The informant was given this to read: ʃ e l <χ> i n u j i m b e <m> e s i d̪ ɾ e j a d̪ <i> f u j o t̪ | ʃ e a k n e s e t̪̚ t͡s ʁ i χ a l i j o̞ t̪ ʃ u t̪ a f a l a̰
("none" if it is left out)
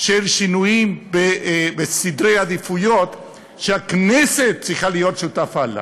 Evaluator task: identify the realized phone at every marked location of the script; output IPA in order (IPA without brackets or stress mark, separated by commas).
ʃ, b, i